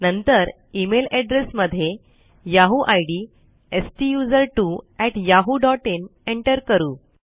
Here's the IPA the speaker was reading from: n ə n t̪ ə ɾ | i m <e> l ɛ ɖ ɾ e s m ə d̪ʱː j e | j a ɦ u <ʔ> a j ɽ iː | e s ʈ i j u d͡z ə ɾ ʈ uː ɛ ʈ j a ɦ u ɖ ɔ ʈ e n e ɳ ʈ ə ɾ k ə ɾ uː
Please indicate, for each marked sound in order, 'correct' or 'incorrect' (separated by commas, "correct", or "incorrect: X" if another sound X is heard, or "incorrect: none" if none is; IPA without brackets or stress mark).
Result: correct, correct